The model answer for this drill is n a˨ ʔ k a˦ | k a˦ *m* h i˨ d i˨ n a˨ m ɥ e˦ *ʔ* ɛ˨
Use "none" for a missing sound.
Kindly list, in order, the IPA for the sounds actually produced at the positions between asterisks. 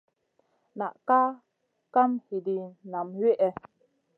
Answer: m, ʔ

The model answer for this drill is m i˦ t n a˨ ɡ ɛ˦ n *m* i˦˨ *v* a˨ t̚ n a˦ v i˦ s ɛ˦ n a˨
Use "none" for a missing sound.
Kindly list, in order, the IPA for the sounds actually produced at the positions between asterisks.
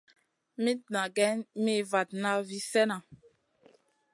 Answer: m, v

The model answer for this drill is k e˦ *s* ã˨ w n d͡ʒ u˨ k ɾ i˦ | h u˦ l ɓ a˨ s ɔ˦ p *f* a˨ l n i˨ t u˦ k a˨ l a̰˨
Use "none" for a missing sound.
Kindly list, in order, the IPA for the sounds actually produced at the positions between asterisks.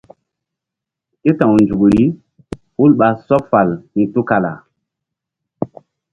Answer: t, f

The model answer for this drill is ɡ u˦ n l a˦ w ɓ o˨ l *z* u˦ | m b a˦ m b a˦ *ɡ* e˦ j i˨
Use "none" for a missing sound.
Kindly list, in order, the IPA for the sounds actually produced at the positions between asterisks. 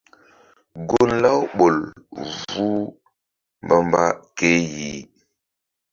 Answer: v, k

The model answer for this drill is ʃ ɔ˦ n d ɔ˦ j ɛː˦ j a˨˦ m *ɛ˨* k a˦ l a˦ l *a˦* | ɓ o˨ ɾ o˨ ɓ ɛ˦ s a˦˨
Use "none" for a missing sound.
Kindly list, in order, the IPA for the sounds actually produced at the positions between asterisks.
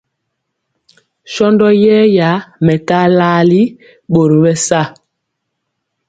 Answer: ɛ˨, i˦

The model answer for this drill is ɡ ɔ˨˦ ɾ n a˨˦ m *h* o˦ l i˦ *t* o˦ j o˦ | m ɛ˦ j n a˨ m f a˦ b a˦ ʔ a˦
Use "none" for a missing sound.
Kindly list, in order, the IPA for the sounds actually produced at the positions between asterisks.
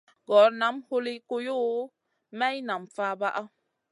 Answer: h, k

